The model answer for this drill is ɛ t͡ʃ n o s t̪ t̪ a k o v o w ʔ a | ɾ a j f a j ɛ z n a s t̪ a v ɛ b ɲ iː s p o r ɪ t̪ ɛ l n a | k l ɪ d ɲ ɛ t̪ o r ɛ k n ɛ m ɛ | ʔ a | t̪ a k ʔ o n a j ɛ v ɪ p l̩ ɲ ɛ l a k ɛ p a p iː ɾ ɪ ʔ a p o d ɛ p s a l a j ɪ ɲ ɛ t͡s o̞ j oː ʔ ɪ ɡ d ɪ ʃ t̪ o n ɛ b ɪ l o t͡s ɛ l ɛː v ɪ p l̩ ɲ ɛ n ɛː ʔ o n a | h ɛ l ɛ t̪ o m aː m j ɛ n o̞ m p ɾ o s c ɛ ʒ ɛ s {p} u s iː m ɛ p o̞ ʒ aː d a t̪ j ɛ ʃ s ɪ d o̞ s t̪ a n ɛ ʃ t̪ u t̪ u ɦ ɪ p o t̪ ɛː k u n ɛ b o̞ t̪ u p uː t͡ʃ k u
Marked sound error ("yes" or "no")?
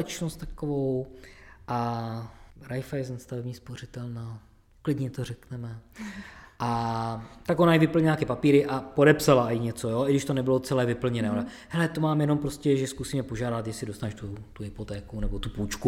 yes